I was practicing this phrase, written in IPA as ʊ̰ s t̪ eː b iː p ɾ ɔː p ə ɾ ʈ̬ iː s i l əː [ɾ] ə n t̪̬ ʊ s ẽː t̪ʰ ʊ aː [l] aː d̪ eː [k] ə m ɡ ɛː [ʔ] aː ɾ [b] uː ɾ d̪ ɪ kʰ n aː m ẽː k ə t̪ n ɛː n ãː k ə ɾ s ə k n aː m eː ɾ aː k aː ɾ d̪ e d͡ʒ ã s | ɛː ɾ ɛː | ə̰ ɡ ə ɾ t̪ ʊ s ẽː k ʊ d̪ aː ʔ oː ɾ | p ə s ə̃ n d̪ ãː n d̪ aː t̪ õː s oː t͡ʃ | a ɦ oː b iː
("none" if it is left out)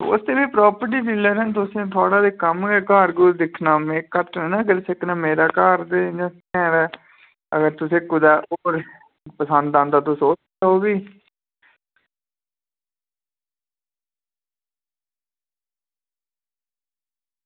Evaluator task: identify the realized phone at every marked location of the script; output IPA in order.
ɾ, ɽ, k, k, ɡ

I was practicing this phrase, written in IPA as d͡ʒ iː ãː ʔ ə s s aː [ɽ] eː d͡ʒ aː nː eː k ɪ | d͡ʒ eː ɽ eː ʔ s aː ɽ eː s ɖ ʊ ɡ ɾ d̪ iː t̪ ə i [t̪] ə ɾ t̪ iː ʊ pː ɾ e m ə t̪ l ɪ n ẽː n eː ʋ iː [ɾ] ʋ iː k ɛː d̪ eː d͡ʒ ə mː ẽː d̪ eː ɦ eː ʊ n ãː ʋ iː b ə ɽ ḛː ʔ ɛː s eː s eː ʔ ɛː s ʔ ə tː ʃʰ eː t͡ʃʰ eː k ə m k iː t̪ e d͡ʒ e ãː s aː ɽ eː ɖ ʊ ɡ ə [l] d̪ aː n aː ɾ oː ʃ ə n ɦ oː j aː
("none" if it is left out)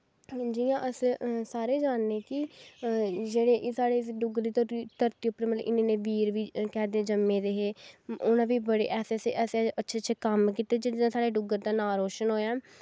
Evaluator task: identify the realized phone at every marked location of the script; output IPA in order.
ɾ, t̪, ɾ, ɾ

